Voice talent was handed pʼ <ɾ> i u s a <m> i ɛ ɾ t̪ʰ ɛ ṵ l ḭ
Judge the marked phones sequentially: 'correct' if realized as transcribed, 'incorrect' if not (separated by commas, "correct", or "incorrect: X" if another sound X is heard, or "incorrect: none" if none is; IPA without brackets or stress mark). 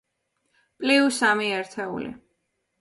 incorrect: l, correct